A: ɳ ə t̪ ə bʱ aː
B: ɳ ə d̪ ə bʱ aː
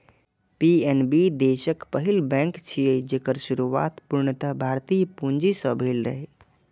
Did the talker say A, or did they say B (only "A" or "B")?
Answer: A